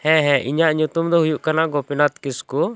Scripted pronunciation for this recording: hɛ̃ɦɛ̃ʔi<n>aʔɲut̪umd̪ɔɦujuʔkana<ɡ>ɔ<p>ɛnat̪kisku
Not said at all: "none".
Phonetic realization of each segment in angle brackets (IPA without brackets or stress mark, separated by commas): ɲ, ɡ, p